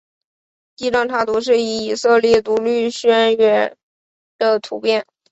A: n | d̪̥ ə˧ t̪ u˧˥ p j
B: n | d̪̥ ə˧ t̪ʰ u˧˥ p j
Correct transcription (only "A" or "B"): B